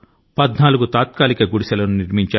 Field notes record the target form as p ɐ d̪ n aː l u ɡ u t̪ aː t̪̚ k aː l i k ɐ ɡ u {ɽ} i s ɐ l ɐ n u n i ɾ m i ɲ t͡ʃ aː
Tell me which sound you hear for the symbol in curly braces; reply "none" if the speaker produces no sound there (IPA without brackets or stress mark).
ɽ